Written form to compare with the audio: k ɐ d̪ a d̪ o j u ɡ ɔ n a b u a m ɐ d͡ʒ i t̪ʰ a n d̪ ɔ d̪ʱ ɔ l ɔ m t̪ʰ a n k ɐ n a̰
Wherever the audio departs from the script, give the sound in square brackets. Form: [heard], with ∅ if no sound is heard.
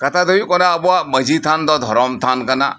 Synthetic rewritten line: k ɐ [t̪] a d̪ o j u [k] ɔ n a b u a m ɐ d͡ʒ i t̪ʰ a n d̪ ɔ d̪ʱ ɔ [ɾ] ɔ m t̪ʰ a n k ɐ n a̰